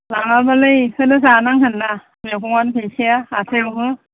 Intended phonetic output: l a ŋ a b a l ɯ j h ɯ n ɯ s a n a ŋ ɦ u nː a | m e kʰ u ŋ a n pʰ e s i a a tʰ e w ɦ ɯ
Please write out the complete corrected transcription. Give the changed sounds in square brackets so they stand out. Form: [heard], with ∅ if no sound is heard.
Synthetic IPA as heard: l a ŋ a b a l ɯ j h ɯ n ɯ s a n a ŋ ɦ [ɯ] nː a | m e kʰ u ŋ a n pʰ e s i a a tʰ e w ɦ ɯ